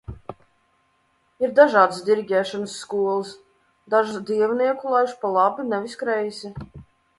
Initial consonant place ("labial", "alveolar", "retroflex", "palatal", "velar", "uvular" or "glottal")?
alveolar